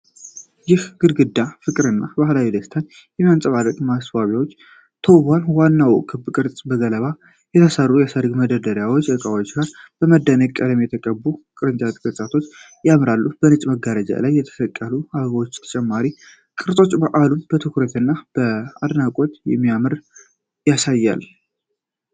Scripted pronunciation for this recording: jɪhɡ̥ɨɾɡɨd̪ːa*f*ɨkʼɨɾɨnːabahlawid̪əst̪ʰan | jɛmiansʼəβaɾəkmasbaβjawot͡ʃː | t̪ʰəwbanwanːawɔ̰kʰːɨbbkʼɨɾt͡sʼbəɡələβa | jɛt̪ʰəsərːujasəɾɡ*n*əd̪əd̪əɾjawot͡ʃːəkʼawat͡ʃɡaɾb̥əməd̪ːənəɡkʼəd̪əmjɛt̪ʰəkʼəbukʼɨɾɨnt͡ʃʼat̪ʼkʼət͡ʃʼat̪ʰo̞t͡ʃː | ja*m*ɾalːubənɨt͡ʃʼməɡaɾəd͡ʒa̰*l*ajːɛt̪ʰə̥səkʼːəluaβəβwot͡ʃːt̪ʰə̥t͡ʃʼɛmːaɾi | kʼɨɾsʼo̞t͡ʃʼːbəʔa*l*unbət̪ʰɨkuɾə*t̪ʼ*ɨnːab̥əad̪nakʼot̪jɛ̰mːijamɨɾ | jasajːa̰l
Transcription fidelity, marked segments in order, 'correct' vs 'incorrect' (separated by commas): correct, incorrect, correct, correct, correct, incorrect